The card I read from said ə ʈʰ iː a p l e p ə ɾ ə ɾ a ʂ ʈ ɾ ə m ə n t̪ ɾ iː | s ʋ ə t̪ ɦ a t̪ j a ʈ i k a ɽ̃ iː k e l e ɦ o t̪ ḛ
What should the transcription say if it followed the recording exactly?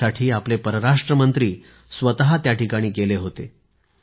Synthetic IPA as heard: a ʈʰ iː a p l e p ə ɾ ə ɾ a ʂ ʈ ɾ ə m ə n t̪ ɾ iː | s ʋ ə t̪ ɦ a t̪ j a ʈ i k a ɽ̃ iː ɡ e l e ɦ o t̪ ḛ

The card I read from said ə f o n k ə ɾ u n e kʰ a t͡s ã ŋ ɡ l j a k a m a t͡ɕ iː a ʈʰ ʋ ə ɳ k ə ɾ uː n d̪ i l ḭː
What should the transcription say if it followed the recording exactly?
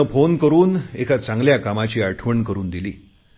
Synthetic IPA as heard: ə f o n k ə ɾ uː n e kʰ a t͡s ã ŋ ɡ l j a k a m a t͡ɕ iː a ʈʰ ʋ ə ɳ k ə ɾ uː n d̪ i l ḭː

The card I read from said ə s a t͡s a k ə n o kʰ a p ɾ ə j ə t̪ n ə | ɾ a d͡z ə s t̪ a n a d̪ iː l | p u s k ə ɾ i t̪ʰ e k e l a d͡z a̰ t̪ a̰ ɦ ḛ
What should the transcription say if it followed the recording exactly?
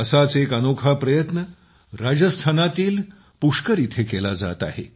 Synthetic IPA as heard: ə s a t͡s e k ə n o kʰ a p ɾ ə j ə t̪ n ə | ɾ a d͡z ə s t̪ʰ a n a t̪ iː l | p u ʂ k ə ɾ i t̪ʰ e k e l a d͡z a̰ t̪ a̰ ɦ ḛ

